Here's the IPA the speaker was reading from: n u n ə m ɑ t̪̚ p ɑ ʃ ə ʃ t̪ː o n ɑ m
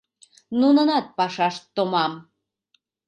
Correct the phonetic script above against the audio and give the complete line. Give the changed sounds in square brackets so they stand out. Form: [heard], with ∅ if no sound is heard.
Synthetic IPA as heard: n u n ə [n] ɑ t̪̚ p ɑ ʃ [ɑ] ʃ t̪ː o [m] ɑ m